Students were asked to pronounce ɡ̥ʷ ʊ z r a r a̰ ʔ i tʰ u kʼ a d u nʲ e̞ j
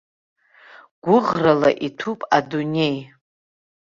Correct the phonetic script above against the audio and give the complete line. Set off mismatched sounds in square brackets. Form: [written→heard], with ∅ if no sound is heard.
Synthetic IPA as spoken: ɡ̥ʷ ʊ [z→ʁ] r a [r→l] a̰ ʔ i tʰ u [kʼ→pʼ] a d u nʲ e̞ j